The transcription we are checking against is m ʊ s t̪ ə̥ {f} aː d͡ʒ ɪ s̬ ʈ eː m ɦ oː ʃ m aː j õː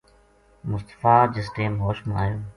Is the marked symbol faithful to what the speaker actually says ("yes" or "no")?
yes